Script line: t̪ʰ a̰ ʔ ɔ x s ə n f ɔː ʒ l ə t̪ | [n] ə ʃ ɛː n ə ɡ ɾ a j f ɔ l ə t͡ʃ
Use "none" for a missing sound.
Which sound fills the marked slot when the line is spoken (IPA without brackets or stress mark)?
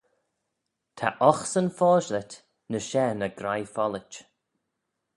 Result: n